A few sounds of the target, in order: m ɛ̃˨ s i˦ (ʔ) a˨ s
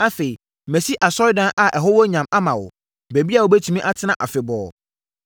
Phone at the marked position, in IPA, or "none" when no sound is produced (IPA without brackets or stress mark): ʔ